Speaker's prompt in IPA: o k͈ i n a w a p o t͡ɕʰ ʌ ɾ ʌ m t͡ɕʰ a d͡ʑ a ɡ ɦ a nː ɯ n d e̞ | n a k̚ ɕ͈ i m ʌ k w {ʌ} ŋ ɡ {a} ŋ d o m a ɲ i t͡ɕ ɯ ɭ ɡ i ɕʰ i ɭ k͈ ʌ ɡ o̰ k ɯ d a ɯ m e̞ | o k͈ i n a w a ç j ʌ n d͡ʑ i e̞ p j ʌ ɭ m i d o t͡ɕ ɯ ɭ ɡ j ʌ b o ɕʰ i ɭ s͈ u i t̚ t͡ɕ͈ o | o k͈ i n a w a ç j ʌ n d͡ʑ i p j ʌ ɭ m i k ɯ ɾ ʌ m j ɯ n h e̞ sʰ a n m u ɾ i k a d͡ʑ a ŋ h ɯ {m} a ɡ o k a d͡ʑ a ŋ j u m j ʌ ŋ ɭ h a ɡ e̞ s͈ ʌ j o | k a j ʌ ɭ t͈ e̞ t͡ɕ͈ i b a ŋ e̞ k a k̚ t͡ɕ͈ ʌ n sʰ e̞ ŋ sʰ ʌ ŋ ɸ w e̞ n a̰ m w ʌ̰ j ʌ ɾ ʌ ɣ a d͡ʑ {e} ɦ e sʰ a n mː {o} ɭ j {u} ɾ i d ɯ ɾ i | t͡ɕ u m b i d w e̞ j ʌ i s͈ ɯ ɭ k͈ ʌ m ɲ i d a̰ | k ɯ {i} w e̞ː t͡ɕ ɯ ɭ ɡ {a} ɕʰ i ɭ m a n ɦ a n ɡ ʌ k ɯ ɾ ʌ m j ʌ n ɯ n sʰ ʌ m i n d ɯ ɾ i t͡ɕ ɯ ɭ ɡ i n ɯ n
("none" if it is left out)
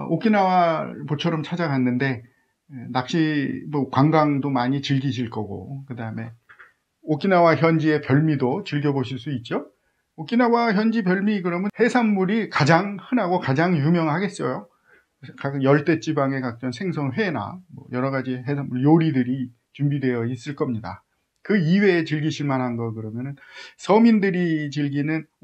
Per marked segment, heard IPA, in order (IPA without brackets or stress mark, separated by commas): a, a, n, i, u, o, i, i